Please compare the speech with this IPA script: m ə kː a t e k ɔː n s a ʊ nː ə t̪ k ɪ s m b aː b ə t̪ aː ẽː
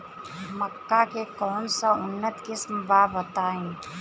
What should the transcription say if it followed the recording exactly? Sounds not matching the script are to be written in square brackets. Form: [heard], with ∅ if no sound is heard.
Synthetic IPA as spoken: m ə kː a [k] e k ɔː n s a ʊ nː ə t̪ k ɪ s m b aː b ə t̪ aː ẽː

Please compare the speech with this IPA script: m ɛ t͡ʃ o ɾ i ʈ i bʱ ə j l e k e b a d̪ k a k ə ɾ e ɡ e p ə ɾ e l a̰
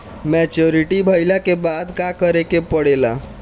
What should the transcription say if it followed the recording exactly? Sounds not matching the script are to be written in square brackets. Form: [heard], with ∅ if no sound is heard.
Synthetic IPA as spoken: m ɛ t͡ʃ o ɾ i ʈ i bʱ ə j l [a] k e b a d̪ k a k ə ɾ e [k] e p ə [ɽ] e l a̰

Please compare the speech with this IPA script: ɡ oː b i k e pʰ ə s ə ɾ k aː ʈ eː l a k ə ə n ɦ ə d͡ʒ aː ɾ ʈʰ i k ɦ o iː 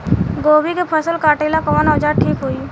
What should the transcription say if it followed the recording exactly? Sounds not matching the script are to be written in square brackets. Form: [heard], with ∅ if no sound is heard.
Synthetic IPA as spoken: ɡ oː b i k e pʰ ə s ə [l] k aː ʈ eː l a k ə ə n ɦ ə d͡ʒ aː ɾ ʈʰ [iː] k ɦ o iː

